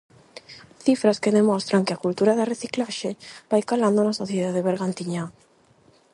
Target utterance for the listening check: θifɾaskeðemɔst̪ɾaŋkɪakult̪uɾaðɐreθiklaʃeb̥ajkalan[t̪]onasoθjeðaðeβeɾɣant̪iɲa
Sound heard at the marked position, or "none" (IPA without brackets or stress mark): d̪